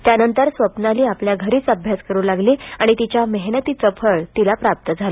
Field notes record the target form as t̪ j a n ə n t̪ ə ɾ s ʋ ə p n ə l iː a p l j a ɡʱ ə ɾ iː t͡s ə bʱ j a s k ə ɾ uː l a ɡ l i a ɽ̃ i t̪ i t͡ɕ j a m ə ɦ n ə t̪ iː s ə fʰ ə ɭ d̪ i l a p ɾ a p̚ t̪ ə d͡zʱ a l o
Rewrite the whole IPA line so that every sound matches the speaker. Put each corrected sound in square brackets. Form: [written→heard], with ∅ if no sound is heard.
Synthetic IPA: t̪ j a n ə n t̪ ə ɾ s ʋ ə p n [ə→a] l iː a p l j a ɡʱ ə ɾ iː t͡s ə bʱ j a s k ə ɾ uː l a ɡ l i a ɽ̃ i t̪ i t͡ɕ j a m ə ɦ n ə t̪ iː [s→t͡s] ə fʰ ə ɭ [d̪→t̪] i l a p ɾ a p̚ t̪ ə d͡zʱ a l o